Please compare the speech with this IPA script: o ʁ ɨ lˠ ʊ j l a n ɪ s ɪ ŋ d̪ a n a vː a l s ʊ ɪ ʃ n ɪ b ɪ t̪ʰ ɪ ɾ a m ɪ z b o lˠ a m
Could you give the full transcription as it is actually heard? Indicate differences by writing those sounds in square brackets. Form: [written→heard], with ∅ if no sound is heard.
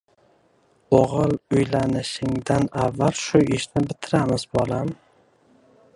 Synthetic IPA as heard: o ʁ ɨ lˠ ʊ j l a n ɪ [s→ʃ] ɪ ŋ d̪ a n a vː a l [s→ʃ] ʊ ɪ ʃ n ɪ b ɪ t̪ʰ ɪ ɾ a m ɪ z b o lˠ a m